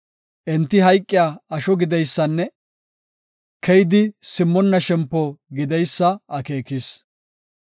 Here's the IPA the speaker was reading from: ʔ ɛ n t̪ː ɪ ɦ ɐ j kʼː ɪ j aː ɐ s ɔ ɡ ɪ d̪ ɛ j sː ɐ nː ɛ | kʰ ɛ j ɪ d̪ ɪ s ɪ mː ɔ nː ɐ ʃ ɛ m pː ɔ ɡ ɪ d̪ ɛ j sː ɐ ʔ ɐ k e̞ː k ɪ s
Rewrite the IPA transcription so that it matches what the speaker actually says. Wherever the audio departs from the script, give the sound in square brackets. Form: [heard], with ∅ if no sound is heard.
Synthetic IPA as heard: ʔ ɛ n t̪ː ɪ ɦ ɐ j kʼː ɪ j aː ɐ [ʃ] ɔ ɡ ɪ d̪ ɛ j sː ɐ nː ɛ | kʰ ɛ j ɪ d̪ ɪ s ɪ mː ɔ nː ɐ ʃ ɛ m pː ɔ ɡ ɪ d̪ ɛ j sː ɐ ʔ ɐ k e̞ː k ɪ s